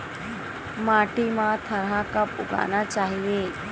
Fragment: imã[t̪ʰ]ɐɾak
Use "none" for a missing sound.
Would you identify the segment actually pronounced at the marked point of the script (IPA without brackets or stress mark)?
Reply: t̪ʰ